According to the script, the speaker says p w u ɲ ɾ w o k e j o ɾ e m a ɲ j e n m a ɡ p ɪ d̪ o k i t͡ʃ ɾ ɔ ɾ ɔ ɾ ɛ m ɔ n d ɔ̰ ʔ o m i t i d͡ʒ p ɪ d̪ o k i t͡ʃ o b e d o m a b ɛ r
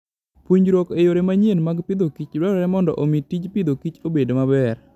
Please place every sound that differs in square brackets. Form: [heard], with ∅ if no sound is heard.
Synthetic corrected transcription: p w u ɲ ɾ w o k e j o ɾ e m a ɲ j e n m a ɡ p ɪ d̪ o k i t͡ʃ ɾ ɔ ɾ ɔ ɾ ɛ m ɔ n d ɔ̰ ʔ o m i t i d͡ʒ p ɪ d̪ o k i t͡ʃ o b e d o m a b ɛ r